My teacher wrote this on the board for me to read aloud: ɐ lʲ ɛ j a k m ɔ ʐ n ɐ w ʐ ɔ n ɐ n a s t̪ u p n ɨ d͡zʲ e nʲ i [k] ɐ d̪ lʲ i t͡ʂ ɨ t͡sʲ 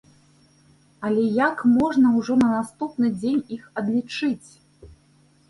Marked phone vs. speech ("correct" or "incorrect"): incorrect